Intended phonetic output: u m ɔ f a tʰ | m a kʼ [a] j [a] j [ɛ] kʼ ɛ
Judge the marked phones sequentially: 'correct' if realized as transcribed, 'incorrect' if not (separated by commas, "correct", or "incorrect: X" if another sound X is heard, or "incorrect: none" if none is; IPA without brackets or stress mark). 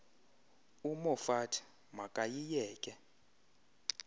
correct, incorrect: i, incorrect: ɛː